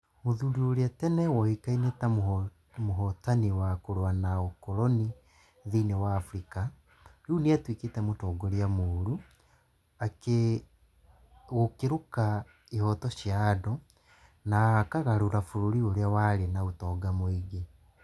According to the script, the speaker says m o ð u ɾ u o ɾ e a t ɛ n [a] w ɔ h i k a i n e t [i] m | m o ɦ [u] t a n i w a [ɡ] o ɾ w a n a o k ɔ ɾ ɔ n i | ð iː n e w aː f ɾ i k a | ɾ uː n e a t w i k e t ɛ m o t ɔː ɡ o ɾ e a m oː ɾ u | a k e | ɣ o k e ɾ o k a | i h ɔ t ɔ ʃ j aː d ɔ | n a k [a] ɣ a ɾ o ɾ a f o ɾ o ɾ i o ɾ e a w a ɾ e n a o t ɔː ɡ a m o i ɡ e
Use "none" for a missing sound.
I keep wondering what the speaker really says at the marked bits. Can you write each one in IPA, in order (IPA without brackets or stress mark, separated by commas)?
ɛ, a, ɔ, k, a